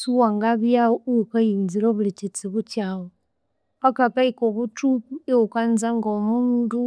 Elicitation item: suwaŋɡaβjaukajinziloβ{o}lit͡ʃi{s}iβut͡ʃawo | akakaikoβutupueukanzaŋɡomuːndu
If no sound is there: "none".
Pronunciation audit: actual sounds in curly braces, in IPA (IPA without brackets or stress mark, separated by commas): u, t͡s